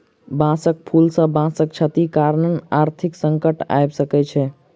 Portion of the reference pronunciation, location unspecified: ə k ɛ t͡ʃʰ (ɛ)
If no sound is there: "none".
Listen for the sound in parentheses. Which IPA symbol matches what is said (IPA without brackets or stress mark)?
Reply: ɛ